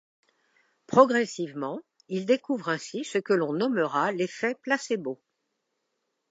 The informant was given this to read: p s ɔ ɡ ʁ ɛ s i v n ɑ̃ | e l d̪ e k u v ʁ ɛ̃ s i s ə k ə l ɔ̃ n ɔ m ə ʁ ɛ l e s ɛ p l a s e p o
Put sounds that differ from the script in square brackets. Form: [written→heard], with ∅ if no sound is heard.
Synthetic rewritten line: p [s→χ] ɔ ɡ ʁ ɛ s i v [n→m] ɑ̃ | [e→i] l d̪ e k u v ʁ ɛ̃ s i s ə k ə l ɔ̃ n ɔ m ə ʁ [ɛ→a] l e [s→f] ɛ p l a s e [p→b] o